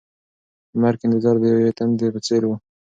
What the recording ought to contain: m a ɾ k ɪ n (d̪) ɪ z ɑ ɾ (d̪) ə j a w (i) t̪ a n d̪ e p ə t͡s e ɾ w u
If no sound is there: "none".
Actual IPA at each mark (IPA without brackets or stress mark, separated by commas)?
d̪, d̪, e